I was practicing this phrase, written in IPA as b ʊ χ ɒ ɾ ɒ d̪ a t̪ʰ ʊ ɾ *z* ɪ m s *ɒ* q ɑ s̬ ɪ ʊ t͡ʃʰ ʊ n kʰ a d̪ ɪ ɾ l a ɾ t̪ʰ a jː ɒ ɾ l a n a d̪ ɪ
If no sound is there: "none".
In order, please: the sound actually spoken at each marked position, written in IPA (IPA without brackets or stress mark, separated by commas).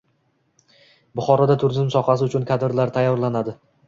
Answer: z, ɒ